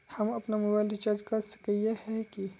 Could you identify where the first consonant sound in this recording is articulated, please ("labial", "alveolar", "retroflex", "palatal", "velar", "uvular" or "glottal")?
glottal